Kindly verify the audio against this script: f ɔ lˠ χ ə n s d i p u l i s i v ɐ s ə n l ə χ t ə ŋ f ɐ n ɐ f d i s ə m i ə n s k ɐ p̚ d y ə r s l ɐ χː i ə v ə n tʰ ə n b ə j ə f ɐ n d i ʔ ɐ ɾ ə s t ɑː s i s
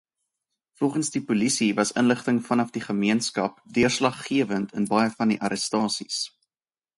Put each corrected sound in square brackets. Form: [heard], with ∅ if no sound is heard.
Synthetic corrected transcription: f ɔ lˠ χ ə n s d i p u l i s i v ɐ s ə n l ə χ t ə ŋ f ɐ n ɐ f d i [χ] ə m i ə n s k ɐ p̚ d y ə r s l ɐ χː i ə v ə n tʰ ə n b [ɐ] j ə f ɐ n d i ʔ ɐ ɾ ə s t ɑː s i s